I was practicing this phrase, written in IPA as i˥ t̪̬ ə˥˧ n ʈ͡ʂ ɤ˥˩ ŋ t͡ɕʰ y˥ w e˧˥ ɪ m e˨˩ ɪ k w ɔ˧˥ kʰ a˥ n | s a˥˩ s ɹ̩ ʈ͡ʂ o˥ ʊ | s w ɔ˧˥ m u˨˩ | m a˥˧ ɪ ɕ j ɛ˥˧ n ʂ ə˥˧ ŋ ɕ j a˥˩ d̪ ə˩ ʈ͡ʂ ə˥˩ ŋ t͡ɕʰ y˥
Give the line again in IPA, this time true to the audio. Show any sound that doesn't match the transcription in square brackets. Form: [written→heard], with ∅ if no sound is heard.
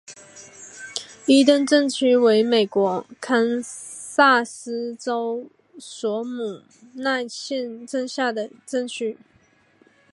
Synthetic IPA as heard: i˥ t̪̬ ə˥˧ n ʈ͡ʂ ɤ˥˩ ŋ t͡ɕʰ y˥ w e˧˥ ɪ m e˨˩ ɪ k w ɔ˧˥ kʰ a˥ n | s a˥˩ s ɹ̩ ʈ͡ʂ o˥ ʊ | s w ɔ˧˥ m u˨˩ | [m→n] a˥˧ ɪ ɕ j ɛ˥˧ n [ʂ→ʈ͡ʂ] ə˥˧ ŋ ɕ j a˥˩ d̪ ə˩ ʈ͡ʂ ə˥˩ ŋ t͡ɕʰ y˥